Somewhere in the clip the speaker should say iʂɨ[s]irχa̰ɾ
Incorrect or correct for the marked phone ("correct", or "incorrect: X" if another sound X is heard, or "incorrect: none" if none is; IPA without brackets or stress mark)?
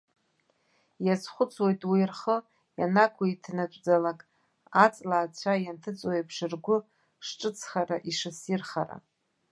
correct